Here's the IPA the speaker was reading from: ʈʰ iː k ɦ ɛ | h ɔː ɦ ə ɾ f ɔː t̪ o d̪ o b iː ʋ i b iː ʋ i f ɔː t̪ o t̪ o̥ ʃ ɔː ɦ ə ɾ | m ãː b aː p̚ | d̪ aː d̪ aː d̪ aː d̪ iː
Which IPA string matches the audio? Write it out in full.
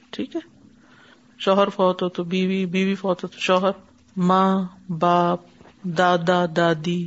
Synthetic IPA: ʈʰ iː k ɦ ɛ | ʃ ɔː ɦ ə ɾ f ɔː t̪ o t̪ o b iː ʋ i b iː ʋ i f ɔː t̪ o t̪ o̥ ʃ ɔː ɦ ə ɾ | m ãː b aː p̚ | d̪ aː d̪ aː d̪ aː d̪ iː